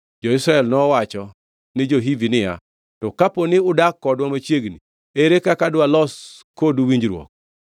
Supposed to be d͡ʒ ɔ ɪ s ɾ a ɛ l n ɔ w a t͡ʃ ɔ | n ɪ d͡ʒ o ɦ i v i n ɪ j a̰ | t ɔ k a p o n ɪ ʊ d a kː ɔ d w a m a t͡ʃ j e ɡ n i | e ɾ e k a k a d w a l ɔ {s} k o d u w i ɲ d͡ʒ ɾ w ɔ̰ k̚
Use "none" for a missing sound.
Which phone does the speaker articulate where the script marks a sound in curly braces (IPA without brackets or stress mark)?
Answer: s